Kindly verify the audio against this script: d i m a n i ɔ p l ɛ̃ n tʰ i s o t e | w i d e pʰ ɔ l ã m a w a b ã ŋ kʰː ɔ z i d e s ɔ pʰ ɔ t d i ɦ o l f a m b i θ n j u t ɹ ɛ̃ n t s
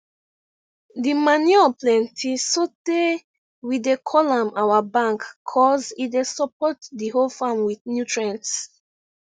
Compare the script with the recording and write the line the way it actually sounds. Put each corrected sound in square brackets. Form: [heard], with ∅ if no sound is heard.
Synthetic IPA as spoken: d i m a n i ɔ p l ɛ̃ n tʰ i s o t e | w i d e [kʰ] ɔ l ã m a w a b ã ŋ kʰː ɔ z i d e s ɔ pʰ ɔ t d i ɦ o l f a m [w] i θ n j u t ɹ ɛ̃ n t s